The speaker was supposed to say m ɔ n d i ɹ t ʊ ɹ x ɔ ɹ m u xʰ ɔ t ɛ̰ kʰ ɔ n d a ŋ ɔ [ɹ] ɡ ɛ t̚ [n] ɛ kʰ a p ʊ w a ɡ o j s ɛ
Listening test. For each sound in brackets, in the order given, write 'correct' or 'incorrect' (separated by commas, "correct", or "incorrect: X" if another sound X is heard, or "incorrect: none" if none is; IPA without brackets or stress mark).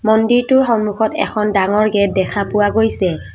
correct, incorrect: d